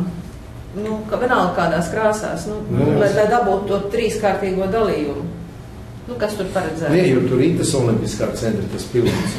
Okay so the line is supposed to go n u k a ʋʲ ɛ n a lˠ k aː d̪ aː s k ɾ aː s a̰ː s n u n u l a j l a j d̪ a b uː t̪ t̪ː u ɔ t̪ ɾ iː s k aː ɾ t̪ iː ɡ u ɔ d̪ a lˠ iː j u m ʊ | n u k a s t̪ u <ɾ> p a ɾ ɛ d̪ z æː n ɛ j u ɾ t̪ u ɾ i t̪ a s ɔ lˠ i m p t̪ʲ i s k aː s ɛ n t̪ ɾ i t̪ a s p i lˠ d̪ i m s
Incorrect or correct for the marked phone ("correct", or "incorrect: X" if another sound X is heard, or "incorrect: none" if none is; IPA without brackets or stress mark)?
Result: correct